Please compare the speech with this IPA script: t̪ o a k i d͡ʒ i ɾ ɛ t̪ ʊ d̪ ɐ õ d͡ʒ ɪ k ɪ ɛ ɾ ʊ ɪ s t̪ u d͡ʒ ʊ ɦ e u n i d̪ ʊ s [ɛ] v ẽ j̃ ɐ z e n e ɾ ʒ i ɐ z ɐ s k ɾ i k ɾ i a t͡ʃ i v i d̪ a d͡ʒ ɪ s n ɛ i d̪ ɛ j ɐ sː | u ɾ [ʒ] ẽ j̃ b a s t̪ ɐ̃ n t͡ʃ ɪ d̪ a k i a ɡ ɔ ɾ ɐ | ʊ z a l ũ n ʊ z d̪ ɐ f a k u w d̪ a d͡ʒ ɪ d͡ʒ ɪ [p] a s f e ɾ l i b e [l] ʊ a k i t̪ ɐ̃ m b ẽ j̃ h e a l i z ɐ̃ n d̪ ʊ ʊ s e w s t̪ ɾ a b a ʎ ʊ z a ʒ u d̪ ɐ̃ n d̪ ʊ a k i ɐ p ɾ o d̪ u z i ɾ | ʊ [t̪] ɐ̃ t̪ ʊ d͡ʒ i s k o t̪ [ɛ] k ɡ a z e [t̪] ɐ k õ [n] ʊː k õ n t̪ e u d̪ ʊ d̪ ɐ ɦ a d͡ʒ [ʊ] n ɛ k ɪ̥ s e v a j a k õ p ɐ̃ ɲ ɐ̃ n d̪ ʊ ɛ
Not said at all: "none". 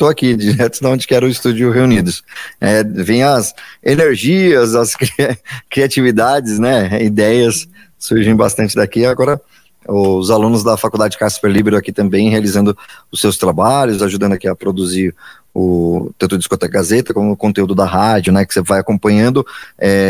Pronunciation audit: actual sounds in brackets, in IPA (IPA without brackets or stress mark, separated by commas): ɛ, ʒ, k, ɾ, t̪, ɛ, t̪, m, ʊ